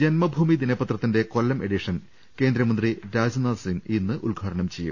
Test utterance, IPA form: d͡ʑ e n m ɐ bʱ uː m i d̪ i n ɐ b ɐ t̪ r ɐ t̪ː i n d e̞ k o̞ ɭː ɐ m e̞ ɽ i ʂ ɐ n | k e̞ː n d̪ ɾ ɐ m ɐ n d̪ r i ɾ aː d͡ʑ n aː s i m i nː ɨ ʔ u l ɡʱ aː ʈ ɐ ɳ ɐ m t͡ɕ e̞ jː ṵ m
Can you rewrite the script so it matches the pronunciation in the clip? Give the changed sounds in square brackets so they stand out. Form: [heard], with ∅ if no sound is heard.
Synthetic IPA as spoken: d͡ʑ e n m ɐ bʱ uː m i d̪ i n ɐ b ɐ t̪ r ɐ t̪ː i n d e̞ k o̞ [lː] ɐ m e̞ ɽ i ʂ ɐ n | k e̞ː n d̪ ɾ ɐ m ɐ n d̪ r i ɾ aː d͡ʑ n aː s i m i nː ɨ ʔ u l ɡʱ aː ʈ ɐ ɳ ɐ m t͡ɕ e̞ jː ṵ m